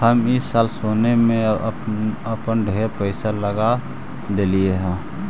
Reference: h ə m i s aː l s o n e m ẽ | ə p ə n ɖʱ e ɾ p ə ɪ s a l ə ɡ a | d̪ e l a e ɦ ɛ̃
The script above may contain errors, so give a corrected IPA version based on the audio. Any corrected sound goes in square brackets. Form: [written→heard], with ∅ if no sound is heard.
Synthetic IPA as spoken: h ə m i s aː l s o n e m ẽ | ə p ə n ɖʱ e ɾ p ə ɪ s a l ə ɡ a | d̪ e l [a→i] e ɦ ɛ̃